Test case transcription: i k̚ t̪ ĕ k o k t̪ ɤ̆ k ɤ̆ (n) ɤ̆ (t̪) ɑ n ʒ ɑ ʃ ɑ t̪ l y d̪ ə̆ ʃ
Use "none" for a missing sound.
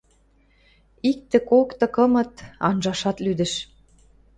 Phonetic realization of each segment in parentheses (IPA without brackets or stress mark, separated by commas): m, t̪